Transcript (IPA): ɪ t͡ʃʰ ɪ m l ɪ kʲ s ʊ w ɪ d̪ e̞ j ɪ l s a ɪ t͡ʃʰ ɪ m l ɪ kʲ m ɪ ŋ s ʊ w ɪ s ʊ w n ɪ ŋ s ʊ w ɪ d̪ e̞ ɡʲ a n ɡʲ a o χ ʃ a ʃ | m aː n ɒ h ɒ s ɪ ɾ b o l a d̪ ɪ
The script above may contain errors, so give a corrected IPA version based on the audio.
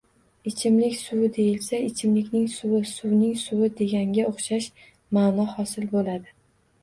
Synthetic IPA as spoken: ɪ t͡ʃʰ ɪ m l ɪ kʲ s ʊ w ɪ d̪ e̞ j ɪ l s a ɪ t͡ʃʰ ɪ m l ɪ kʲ n ɪ ŋ s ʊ w ɪ s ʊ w n ɪ ŋ s ʊ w ɪ d̪ e̞ ɡʲ a ŋ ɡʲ a o χ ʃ a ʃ | m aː n ɒ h ɒ s ɪ l b o l a d̪ ɪ